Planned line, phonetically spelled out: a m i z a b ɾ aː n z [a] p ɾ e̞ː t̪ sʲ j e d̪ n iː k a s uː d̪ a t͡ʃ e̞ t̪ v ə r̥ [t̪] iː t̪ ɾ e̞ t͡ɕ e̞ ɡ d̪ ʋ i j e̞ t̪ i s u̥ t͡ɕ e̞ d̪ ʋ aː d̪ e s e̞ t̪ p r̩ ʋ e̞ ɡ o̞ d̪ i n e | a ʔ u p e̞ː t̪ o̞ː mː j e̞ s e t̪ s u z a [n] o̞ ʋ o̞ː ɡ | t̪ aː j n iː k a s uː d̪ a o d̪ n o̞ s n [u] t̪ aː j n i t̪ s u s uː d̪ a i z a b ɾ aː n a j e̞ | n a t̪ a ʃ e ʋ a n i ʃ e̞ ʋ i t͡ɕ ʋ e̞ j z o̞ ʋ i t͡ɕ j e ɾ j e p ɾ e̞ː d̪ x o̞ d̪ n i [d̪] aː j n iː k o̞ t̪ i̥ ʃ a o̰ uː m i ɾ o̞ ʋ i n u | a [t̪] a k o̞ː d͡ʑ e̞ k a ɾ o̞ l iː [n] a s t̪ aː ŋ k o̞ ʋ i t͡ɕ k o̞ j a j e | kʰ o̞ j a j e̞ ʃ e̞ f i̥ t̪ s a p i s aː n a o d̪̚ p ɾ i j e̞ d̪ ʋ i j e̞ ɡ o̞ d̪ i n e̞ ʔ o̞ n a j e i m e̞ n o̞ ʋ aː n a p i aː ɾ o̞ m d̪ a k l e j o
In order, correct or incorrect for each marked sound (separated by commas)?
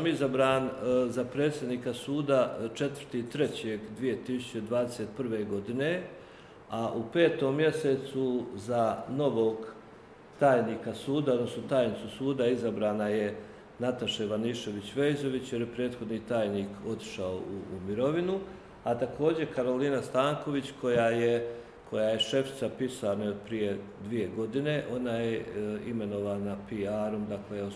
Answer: correct, correct, correct, incorrect, incorrect, correct, correct